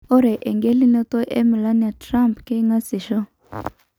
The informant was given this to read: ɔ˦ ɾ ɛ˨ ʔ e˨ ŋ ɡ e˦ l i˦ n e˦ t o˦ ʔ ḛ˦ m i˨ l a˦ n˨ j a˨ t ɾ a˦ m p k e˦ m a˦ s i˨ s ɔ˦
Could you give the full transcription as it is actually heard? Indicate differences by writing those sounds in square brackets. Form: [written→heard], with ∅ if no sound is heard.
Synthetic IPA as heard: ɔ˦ ɾ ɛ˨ ʔ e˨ ŋ ɡ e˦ l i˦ n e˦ t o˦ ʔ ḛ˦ m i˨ l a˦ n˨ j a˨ t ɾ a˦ m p k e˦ [m→ŋ] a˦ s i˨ [s→ʃ] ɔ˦